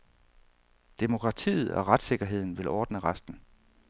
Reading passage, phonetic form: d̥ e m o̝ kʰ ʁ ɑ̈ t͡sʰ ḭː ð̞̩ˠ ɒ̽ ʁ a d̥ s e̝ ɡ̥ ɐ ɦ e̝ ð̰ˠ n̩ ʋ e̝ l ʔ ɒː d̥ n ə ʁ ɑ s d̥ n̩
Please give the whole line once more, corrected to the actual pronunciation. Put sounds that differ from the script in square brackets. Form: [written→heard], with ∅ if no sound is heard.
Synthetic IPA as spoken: d̥ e m o̝ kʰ ʁ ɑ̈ t͡sʰ ḭː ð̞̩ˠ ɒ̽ ʁ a d̥ s e̝ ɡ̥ ɐ ɦ e̝ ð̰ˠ n̩ ʋ e̝ l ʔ ɒː d̥ n ə ʁ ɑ s d̥ n̩